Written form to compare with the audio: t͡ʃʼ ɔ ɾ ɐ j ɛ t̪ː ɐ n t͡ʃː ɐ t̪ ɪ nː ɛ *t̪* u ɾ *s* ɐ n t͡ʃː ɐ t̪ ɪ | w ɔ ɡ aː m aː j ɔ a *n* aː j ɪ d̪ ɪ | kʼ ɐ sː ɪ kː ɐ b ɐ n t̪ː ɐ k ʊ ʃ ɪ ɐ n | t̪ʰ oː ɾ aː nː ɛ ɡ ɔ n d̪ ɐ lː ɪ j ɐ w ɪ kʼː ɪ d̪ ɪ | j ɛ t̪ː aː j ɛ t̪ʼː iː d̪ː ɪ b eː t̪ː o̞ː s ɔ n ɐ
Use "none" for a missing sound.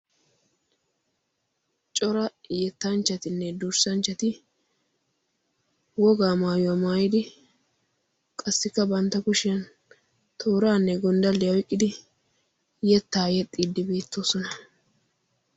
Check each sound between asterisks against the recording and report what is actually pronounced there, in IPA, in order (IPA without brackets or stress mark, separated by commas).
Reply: d̪, s, m